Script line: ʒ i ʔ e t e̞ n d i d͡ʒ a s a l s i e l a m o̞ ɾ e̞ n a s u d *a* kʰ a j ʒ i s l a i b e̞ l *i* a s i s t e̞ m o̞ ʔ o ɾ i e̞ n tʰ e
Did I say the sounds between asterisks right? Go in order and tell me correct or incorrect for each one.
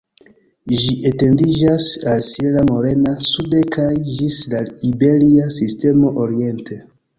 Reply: incorrect: e, correct

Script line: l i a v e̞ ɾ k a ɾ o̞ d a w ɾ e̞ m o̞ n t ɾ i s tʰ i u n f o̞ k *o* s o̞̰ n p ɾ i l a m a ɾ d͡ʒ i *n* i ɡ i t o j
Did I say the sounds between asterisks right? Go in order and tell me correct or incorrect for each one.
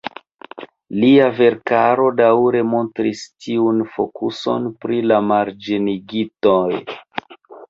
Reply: incorrect: u, correct

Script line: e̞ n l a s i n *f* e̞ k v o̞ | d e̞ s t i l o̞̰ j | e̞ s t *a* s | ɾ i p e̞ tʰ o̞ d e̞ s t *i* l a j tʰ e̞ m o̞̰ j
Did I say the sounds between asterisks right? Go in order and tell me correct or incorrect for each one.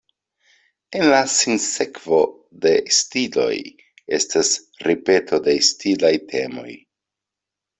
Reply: incorrect: s, correct, correct

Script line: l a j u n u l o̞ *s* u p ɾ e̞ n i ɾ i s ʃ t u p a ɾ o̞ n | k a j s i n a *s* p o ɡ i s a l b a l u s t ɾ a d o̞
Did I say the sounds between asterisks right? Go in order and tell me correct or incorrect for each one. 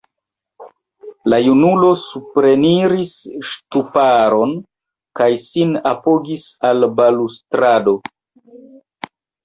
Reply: correct, incorrect: none

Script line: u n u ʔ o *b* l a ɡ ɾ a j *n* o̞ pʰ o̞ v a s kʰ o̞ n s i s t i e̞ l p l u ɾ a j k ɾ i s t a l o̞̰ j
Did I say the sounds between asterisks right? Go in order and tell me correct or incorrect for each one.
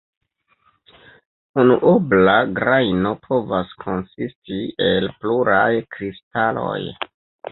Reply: correct, correct

